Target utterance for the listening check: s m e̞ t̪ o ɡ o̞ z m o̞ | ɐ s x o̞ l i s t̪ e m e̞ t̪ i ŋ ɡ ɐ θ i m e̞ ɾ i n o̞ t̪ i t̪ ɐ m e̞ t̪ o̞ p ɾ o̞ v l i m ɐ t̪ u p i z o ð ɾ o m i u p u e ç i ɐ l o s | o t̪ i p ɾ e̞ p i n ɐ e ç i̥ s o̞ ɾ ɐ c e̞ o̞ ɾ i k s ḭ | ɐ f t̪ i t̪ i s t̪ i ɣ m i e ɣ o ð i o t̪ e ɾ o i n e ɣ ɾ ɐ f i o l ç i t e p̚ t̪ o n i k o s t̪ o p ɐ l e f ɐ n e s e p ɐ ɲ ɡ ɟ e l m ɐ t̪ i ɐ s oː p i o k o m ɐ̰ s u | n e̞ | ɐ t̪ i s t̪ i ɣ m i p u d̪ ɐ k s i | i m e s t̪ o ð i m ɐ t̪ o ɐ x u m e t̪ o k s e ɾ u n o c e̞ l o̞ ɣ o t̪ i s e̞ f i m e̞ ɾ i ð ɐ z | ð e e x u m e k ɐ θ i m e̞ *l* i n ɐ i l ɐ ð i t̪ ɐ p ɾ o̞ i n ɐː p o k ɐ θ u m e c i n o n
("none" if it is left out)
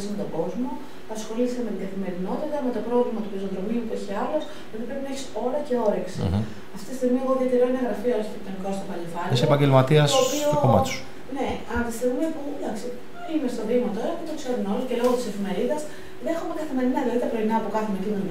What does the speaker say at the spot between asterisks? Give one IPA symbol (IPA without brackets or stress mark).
ɾ